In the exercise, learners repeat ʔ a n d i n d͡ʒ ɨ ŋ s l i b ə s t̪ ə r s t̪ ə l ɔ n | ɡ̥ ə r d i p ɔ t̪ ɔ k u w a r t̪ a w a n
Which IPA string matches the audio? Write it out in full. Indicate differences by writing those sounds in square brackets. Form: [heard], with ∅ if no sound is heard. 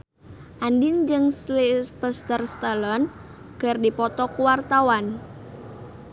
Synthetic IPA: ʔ a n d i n d͡ʒ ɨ ŋ s l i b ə s t̪ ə r s t̪ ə l ɔ n | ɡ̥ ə r d i p ɔ t̪ ɔ k u w a r t̪ a w a n